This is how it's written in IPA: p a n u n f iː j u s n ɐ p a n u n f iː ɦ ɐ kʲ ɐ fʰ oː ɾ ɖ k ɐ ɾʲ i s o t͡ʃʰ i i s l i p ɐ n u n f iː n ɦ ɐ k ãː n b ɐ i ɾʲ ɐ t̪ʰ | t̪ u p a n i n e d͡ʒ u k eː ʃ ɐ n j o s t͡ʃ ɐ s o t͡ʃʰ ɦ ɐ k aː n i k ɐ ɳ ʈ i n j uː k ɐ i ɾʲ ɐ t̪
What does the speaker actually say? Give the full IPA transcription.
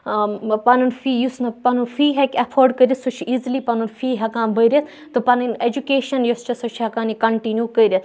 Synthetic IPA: p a n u n f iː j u s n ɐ p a n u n f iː ɦ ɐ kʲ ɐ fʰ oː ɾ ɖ k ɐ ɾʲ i s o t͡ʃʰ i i z l i p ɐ n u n f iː ɦ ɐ k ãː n b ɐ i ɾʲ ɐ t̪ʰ | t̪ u p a n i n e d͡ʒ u k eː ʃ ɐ n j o s t͡ʃ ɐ s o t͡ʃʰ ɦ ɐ k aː n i k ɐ ɳ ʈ i n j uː k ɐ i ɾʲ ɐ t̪

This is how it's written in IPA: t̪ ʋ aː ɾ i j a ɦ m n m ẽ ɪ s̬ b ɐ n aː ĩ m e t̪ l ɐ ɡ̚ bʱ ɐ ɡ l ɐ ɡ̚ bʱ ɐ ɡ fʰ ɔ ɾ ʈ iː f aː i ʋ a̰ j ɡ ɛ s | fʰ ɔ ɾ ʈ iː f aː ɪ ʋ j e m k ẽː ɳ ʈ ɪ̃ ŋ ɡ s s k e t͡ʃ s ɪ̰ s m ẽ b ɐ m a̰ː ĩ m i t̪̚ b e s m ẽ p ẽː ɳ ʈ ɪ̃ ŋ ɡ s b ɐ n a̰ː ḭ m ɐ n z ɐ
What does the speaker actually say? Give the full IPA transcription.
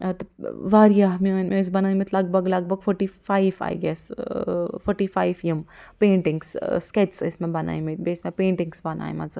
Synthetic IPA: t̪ ʋ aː ɾ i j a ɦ m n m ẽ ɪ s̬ b ɐ n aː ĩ m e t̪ l ɐ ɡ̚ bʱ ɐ ɡ l ɐ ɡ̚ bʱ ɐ ɡ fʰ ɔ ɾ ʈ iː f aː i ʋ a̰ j ɡ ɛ s | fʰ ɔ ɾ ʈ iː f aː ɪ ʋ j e m p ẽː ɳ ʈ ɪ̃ ŋ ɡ s s k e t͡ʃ s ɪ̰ s m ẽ b ɐ n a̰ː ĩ m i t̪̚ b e s m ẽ p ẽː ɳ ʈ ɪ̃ ŋ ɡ s b ɐ n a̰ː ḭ m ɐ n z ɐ

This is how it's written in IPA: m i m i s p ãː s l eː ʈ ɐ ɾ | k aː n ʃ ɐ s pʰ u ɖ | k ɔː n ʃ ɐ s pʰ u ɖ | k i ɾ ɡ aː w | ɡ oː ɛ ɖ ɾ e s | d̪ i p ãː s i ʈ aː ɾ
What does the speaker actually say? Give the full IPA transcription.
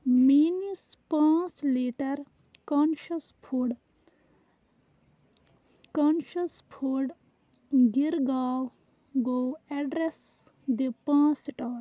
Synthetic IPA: m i n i s p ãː s l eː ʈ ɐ ɾ | k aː n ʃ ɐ s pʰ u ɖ | k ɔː n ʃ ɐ s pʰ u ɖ | ɡ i ɾ ɡ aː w | ɡ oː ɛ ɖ ɾ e s | d̪ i p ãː s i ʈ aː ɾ

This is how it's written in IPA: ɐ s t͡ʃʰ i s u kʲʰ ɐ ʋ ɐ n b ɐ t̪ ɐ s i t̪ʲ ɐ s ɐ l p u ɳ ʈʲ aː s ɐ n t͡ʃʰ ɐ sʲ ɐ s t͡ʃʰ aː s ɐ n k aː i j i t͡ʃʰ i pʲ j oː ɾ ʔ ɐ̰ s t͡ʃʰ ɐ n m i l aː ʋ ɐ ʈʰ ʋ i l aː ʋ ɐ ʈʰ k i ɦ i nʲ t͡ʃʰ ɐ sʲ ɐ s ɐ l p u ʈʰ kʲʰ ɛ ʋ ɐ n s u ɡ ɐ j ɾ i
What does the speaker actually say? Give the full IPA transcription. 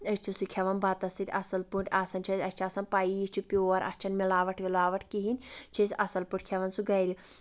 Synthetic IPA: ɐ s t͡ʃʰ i s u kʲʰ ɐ ʋ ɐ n b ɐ t̪ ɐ s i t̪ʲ ɐ s ɐ l p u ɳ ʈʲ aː s ɐ n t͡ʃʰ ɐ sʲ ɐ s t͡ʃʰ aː s ɐ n p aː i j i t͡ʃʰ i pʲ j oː ɾ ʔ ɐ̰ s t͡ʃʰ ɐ n m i l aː ʋ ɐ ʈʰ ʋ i l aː ʋ ɐ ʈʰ k i ɦ i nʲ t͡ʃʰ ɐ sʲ ɐ s ɐ l p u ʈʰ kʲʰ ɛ ʋ ɐ n s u ɡ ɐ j ɾ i

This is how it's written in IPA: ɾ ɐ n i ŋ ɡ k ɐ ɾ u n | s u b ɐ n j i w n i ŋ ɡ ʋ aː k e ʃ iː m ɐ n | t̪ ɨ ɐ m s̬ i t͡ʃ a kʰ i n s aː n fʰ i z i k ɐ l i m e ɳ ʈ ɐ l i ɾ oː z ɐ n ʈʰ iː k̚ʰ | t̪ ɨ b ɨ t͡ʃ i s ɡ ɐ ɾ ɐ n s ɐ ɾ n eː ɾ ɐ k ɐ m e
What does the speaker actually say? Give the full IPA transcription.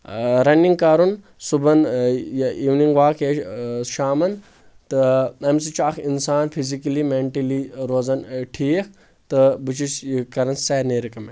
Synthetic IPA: ɾ ɐ n i ŋ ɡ k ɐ ɾ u n | s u b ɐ n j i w n i ŋ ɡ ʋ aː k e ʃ aː m ɐ n | t̪ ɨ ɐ m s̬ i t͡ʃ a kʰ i n s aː n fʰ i z i k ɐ l i m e ɳ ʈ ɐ l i ɾ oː z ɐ n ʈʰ iː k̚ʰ | t̪ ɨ b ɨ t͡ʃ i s k ɐ ɾ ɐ n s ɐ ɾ n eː ɾ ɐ k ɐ m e

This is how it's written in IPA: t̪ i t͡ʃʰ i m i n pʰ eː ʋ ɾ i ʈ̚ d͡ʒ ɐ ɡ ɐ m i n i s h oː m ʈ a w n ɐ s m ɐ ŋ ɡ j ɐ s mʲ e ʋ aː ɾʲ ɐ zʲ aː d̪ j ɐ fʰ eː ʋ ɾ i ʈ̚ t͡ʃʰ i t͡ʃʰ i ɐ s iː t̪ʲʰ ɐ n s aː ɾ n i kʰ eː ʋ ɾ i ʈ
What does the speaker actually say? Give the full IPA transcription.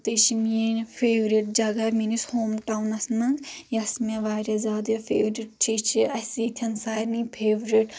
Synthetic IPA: t̪ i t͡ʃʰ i m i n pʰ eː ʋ ɾ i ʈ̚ d͡ʒ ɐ ɡ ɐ m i n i s h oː m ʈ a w n ɐ s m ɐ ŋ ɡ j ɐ s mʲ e ʋ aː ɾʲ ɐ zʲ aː d̪ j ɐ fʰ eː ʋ ɾ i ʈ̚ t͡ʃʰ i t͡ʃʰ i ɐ s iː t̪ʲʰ ɐ n s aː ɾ n i pʰ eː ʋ ɾ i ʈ

